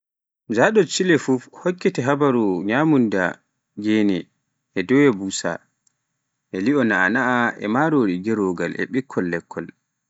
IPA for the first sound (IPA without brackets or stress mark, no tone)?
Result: d͡ʒ